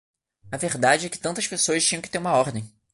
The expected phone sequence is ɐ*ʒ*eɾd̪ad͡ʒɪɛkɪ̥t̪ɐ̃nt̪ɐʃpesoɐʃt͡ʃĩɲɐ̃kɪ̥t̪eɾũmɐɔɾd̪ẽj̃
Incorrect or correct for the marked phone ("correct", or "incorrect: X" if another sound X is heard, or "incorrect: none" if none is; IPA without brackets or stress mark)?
incorrect: v